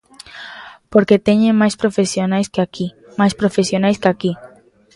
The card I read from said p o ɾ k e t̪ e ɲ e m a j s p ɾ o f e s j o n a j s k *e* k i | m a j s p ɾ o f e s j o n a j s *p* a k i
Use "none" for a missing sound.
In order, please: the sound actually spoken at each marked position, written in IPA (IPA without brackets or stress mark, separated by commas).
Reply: a, k